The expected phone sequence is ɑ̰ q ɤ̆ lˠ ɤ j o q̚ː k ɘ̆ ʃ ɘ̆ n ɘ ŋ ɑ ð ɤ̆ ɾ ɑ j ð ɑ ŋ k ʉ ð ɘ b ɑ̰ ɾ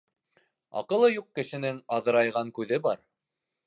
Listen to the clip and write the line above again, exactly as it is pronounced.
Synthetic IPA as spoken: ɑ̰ q ɤ̆ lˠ ɤ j u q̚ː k ɘ̆ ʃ ɘ̆ n ɘ ŋ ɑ ð ɤ̆ ɾ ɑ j ʁ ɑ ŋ k ʉ ð ɘ b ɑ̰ ɾ